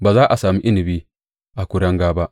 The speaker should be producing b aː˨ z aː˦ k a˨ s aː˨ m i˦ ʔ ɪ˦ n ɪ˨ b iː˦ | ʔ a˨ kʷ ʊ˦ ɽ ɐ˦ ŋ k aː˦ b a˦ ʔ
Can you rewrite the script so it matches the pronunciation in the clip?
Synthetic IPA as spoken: b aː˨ z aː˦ ʔ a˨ s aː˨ m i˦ ʔ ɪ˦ n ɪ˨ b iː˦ | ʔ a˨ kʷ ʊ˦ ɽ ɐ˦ ŋ ɡ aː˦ b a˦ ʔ